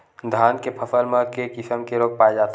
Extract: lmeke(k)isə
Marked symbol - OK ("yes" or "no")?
yes